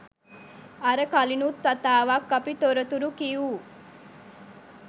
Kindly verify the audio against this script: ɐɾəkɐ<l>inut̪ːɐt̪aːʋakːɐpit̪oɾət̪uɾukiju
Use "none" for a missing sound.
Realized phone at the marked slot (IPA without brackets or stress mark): l